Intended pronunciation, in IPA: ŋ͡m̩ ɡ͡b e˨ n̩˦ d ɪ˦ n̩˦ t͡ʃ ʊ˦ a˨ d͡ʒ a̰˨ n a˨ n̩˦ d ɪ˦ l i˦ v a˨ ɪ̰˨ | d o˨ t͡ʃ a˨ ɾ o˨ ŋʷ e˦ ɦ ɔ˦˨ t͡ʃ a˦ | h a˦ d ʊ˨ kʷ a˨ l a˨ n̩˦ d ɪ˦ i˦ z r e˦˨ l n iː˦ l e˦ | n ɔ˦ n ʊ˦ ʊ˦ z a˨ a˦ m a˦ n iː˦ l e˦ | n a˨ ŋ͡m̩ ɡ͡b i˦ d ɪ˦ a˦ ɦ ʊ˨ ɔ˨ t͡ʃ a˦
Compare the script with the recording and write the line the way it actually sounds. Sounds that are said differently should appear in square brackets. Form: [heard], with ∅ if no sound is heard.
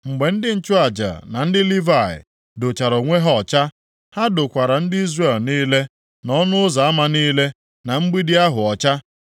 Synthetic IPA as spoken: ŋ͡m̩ ɡ͡b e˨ n̩˦ d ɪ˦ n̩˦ t͡ʃ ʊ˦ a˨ d͡ʒ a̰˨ n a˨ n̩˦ d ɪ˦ l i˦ v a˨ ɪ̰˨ | d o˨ t͡ʃ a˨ ɾ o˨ ŋʷ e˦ ɦ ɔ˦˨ t͡ʃ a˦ | h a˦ d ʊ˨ kʷ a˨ [ɾ] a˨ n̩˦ d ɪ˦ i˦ z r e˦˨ l n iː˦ l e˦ | n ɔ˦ n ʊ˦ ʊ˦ z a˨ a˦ m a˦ n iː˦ l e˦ | n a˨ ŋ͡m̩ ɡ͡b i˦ d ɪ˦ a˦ ɦ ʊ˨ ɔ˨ t͡ʃ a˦